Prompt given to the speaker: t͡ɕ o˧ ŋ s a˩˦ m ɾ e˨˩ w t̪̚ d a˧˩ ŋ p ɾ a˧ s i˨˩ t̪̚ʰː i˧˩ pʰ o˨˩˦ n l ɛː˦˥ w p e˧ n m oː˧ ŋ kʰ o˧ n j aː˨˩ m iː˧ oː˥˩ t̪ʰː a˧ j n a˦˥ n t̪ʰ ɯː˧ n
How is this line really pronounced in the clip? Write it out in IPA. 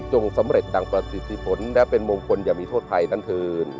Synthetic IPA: t͡ɕ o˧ ŋ s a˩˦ m ɾ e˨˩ t̪̚ d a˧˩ ŋ p ɾ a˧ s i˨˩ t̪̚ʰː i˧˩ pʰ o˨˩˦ n l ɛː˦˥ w p e˧ n m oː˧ ŋ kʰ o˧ n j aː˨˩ m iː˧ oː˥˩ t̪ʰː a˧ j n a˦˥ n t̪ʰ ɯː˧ n